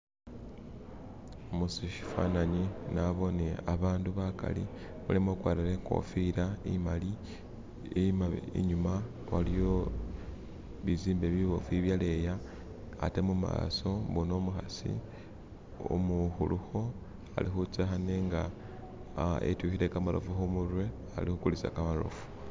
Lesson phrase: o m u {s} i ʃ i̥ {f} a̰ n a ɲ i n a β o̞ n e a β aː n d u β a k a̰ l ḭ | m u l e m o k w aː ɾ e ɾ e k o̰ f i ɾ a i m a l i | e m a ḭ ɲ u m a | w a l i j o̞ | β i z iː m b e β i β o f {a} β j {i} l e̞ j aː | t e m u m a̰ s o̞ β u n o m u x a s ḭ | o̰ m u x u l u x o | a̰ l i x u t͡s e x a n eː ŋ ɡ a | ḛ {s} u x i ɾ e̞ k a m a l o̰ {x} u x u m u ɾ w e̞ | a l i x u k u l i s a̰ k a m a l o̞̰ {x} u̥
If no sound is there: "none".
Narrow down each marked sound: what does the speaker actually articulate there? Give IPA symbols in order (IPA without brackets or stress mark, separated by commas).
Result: s, f, i, a, t, f, f